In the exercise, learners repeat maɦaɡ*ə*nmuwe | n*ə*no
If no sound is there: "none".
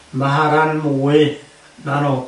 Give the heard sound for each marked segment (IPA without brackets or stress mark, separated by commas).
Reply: a, a